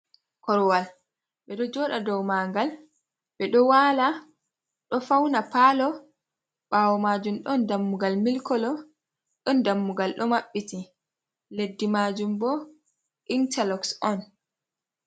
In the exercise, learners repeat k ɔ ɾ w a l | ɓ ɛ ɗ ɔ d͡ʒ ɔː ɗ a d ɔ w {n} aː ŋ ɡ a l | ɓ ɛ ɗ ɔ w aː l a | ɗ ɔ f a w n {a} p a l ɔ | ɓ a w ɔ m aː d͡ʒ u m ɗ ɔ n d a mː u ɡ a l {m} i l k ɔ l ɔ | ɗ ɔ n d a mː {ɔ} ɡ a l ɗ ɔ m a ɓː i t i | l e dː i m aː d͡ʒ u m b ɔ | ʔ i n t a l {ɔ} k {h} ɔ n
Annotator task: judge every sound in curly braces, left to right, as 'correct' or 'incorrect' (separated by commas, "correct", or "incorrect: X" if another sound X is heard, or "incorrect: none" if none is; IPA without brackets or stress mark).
incorrect: m, correct, correct, incorrect: u, correct, incorrect: s